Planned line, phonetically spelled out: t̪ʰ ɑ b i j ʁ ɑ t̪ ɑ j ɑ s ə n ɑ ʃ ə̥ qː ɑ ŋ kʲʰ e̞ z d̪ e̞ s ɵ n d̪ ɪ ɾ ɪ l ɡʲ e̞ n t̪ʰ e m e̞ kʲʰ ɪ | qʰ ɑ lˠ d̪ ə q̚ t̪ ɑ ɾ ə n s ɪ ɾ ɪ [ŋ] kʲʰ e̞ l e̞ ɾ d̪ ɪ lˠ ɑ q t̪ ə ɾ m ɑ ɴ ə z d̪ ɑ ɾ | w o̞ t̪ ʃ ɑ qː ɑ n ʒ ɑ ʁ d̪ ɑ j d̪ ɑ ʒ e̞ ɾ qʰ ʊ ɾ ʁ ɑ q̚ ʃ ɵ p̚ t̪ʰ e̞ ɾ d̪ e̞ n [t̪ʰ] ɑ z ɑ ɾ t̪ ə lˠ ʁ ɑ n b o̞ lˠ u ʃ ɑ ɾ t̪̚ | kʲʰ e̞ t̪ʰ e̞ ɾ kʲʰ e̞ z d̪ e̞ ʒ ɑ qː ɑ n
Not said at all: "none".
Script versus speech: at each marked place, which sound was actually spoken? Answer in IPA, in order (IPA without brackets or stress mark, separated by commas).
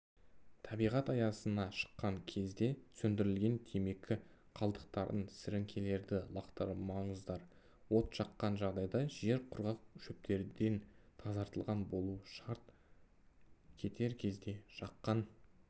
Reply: ŋ, t̪ʰ